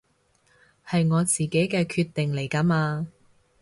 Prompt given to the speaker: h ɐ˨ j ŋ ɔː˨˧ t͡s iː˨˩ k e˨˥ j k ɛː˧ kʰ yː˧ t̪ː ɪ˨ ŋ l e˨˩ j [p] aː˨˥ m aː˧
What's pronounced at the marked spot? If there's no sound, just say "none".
k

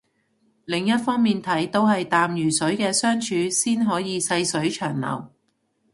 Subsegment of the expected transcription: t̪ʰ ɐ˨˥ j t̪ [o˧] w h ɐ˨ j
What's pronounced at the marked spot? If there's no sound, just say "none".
o˥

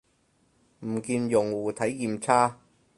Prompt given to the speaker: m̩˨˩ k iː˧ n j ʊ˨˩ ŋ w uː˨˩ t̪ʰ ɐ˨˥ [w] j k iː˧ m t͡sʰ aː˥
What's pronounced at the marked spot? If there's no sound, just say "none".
none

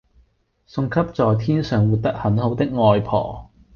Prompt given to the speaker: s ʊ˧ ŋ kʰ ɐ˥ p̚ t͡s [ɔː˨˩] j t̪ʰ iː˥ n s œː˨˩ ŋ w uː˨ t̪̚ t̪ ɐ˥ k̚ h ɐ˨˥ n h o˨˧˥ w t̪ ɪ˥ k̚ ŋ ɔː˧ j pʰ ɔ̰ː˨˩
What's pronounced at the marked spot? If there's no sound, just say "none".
ɔː˨˩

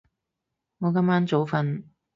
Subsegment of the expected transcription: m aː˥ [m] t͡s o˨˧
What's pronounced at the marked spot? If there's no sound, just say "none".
n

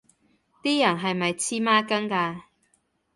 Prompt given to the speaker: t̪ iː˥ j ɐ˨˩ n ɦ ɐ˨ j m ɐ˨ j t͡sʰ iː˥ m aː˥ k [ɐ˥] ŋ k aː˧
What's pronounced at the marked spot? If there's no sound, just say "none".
ɐ˥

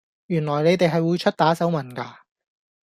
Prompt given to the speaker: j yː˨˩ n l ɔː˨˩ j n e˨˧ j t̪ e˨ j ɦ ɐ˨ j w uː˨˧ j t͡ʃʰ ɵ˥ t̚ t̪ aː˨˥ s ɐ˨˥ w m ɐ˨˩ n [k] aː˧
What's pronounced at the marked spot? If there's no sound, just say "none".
k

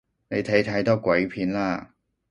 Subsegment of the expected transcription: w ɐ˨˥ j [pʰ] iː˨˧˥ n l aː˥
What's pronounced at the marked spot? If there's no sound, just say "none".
pʰ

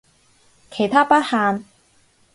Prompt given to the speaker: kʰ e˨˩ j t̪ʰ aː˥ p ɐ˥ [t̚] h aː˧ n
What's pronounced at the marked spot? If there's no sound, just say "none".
t̚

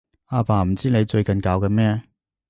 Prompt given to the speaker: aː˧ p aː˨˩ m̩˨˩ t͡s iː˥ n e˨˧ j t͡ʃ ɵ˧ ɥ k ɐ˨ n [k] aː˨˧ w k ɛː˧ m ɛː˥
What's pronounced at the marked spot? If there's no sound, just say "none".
k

